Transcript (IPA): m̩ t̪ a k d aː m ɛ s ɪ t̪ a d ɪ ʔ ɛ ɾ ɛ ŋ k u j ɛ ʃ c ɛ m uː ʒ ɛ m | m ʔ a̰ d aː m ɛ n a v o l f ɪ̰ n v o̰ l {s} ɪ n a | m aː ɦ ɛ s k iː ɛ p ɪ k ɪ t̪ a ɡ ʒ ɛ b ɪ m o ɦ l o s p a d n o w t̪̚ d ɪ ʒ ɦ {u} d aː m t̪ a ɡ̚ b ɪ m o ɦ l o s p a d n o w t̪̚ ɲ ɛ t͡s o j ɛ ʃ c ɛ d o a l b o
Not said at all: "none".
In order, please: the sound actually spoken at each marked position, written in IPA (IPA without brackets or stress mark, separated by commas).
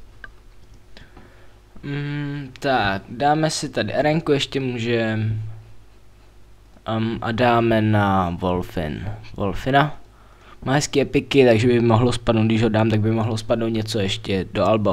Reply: f, o